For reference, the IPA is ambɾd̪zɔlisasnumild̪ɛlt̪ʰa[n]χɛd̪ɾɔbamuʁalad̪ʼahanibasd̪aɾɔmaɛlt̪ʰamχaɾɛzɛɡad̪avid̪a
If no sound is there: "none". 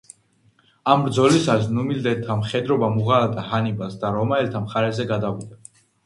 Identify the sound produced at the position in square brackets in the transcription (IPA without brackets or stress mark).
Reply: m